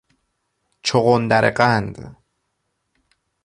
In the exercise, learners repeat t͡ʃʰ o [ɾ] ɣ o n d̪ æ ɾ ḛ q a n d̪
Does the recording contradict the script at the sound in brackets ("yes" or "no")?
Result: yes